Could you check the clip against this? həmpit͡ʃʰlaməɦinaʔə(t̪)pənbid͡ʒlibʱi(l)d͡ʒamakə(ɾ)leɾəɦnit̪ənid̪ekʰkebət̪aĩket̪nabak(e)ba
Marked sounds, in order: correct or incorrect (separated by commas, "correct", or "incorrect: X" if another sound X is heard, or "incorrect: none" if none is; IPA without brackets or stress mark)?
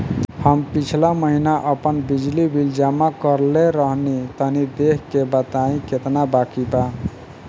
incorrect: none, correct, correct, incorrect: i